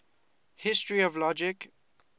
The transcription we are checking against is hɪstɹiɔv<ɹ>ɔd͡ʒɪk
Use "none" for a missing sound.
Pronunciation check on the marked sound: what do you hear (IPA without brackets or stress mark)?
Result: l